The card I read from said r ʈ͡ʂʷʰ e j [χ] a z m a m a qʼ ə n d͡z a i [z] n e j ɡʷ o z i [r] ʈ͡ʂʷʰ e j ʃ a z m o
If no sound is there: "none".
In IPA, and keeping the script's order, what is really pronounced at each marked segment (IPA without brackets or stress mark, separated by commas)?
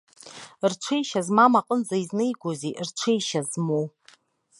ʃ, z, r